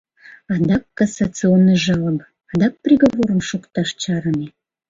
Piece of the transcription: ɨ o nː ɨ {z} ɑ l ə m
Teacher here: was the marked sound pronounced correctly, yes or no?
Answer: no